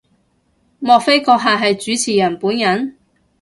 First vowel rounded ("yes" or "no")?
yes